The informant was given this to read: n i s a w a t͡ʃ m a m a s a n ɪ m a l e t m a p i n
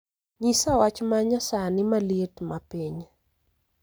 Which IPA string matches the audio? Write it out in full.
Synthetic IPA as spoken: ɲ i s a w a t͡ʃ m a ɲ a s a n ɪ m a l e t m a p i ɲ